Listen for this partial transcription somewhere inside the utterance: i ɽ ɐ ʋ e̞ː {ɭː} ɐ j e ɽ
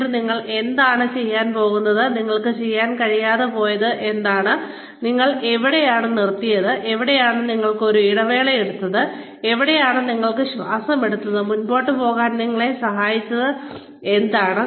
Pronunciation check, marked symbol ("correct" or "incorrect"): incorrect